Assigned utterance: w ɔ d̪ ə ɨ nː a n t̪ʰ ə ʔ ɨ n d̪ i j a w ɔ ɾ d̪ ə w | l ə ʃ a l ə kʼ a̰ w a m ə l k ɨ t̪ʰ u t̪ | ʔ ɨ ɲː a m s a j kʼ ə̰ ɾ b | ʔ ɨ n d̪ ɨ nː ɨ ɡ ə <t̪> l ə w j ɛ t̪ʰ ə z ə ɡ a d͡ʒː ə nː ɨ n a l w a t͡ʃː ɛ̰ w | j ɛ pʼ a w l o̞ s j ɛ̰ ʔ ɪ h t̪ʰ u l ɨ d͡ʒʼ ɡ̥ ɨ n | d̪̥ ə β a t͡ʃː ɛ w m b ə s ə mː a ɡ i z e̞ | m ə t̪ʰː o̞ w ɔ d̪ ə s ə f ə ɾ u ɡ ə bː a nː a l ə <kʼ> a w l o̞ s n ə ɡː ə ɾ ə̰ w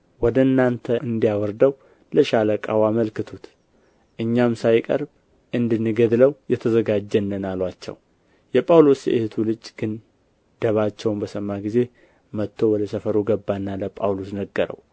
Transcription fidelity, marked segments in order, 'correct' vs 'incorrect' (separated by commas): incorrect, incorrect